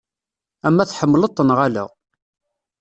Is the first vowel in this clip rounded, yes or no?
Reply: no